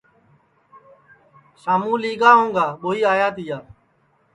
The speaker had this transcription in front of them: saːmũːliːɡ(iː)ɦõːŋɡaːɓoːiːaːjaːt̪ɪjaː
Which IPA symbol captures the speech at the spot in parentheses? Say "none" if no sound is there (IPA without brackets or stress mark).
aː